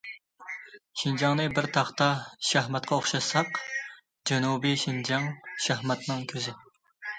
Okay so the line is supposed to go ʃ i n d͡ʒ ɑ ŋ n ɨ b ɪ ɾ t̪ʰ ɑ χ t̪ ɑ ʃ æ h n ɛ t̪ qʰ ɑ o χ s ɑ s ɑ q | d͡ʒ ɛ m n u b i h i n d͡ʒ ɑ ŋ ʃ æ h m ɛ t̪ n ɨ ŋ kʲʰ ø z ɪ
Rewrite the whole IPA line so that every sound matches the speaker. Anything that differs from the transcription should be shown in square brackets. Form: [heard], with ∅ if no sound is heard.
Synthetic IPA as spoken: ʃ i n d͡ʒ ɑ ŋ n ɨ b ɪ ɾ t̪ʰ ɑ χ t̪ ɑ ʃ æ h [m] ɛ t̪ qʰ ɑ o χ [ʃ] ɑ s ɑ q | d͡ʒ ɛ [∅] n u b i [ʃ] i n d͡ʒ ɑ ŋ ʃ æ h m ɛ t̪ n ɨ ŋ kʲʰ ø z ɪ